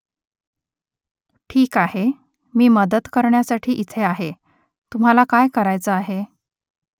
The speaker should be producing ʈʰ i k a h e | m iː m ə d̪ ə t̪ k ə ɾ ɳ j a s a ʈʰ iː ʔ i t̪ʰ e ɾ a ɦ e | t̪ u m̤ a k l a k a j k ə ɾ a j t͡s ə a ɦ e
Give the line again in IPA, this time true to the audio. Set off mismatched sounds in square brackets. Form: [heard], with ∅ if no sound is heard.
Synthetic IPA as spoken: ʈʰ [iː] k a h e | m iː m ə d̪ ə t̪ k ə ɾ ɳ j a s a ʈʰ iː ʔ i t̪ʰ e [∅] a ɦ e | t̪ u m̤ a [∅] l a k a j k ə ɾ a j t͡s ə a ɦ e

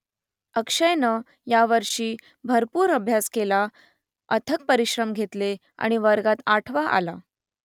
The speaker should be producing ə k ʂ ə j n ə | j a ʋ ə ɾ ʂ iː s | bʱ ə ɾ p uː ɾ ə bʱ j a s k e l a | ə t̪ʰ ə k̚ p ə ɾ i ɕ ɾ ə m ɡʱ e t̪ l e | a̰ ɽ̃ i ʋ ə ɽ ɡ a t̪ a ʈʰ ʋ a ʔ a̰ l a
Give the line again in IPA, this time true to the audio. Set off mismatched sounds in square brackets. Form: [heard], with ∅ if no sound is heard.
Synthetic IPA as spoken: ə k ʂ ə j n ə | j a ʋ ə ɾ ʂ iː [∅] | bʱ ə ɾ p uː ɾ ə bʱ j a s k e l a | ə t̪ʰ ə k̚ p ə ɾ i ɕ ɾ ə m ɡʱ e t̪ l e | a̰ ɽ̃ i ʋ ə [ɾ] ɡ a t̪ a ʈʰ ʋ a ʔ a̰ l a

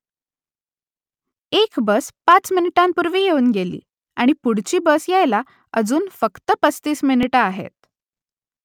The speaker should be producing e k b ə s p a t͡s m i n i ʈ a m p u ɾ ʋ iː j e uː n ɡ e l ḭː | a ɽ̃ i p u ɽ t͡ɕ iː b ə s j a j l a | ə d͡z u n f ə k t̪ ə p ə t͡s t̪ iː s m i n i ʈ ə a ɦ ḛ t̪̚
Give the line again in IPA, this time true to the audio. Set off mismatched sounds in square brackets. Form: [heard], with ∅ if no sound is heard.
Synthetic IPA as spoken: e k b ə s p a t͡s m i n i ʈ a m p u ɾ ʋ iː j e uː n ɡ e l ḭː | a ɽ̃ i p u ɽ t͡ɕ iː b ə s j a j l a | ə d͡z [uː] n f ə k t̪ ə p ə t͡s t̪ iː s m i n i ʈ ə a ɦ ḛ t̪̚

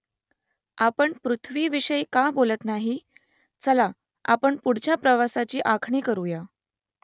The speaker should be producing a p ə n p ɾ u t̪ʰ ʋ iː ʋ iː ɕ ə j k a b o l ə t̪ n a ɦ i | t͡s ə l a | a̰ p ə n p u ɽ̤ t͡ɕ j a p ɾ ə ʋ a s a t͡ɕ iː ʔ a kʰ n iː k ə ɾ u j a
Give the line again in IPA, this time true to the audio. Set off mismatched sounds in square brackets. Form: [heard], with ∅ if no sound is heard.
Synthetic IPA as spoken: a p ə [ɳ] p ɾ u t̪ʰ ʋ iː ʋ [i] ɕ ə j k a b o l ə t̪ n a ɦ i | t͡s ə l a | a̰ p ə [ɳ] p u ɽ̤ t͡ɕ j a p ɾ ə ʋ a s a t͡ɕ iː ʔ a kʰ [ɳ] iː k ə ɾ u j a

